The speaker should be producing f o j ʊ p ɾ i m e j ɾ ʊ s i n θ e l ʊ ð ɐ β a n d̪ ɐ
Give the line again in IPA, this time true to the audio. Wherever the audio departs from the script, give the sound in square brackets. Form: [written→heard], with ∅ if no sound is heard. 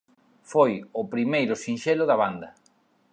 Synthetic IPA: f o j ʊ p ɾ i m e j ɾ ʊ s i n [θ→ʃ] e l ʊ ð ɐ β a n d̪ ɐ